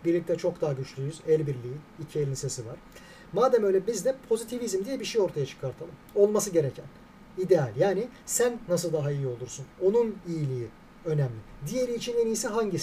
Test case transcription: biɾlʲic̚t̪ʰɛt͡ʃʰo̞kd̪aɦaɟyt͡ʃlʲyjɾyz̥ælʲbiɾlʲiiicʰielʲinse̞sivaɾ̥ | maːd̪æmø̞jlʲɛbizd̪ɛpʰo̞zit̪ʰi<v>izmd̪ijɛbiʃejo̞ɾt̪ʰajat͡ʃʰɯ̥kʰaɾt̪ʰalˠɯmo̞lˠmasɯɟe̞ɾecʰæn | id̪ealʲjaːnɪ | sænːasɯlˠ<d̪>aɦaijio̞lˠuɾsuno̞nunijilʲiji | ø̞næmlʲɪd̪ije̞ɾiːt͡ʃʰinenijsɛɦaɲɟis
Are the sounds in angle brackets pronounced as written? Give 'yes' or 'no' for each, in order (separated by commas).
yes, yes